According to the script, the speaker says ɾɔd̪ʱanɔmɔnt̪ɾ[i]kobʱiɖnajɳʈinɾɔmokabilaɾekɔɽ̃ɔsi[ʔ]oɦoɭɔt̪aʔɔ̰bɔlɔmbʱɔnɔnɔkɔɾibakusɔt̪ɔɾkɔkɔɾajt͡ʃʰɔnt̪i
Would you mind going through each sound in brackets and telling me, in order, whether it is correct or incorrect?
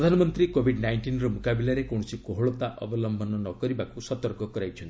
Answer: correct, incorrect: k

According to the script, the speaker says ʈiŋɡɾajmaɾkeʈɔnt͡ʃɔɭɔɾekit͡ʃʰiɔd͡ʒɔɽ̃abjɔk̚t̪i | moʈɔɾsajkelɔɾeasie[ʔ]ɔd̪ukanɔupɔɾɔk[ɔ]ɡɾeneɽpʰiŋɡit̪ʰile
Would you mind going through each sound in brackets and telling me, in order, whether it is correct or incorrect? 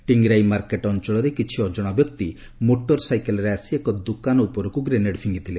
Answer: incorrect: k, incorrect: u

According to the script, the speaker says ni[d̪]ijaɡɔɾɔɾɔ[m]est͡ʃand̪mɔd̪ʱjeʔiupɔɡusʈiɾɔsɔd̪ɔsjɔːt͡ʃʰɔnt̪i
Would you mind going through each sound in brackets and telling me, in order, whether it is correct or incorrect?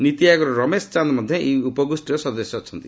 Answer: incorrect: t̪, correct

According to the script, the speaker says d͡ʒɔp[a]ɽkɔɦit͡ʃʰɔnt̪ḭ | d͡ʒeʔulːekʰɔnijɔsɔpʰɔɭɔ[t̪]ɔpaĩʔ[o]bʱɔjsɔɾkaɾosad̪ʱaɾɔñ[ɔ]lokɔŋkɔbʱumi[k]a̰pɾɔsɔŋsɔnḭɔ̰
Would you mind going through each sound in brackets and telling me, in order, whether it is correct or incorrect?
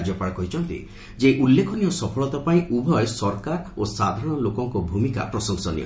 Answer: correct, correct, incorrect: u, correct, correct

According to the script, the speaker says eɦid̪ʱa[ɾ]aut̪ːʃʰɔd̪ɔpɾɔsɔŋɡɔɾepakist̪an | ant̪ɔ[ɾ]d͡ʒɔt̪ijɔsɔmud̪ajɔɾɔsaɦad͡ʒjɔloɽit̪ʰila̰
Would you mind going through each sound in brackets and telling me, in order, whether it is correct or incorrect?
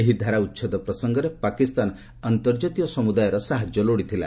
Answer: correct, correct

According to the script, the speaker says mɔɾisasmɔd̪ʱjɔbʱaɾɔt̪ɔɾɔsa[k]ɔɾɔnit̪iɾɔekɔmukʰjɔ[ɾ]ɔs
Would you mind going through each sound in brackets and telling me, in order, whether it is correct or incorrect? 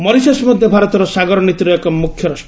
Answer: incorrect: ɡ, correct

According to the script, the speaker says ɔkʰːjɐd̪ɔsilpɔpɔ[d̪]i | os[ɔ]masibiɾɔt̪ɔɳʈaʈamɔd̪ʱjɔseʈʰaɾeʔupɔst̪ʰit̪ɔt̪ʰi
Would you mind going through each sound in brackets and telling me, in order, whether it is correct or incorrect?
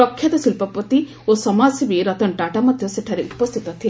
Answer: incorrect: t̪, correct

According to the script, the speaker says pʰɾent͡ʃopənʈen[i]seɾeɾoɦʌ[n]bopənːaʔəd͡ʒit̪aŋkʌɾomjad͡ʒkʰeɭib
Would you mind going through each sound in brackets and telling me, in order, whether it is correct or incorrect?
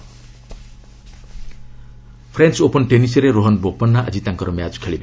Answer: correct, correct

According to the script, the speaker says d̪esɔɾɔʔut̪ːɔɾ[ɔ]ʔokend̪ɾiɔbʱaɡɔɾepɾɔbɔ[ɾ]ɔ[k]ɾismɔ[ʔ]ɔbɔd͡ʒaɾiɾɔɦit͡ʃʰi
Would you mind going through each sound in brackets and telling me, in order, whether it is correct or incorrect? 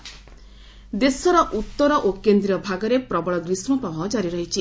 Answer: correct, incorrect: ɭ, incorrect: ɡ, incorrect: p

